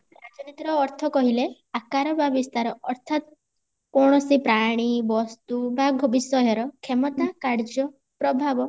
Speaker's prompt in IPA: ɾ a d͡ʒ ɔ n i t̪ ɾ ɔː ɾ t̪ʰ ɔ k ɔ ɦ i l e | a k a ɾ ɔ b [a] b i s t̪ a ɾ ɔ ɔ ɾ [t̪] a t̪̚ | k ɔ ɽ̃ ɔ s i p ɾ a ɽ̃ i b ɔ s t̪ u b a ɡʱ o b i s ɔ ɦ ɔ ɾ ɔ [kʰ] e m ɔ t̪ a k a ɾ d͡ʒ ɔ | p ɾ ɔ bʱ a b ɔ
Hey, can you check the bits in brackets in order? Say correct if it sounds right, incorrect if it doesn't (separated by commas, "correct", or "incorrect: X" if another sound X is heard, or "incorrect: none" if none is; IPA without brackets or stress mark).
correct, incorrect: t̪ʰ, correct